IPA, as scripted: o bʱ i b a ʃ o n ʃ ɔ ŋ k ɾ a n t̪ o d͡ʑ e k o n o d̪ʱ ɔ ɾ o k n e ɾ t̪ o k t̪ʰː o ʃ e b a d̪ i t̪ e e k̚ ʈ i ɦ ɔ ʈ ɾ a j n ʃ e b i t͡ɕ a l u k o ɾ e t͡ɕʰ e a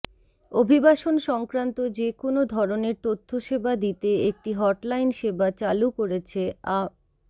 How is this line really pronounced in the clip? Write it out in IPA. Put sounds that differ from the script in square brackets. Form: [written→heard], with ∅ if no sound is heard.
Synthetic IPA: o bʱ i b a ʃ o n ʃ ɔ ŋ k ɾ a n t̪ o d͡ʑ e k o n o d̪ʱ ɔ ɾ o [k→∅] n e ɾ t̪ o [k→∅] t̪ʰː o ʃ e b a d̪ i t̪ e e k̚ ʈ i ɦ ɔ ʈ [ɾ→l] a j n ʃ e b [i→a] t͡ɕ a l u k o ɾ e t͡ɕʰ e a